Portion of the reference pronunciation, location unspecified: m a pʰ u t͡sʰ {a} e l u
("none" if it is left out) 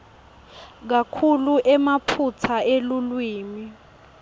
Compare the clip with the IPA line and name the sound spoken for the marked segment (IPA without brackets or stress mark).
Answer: a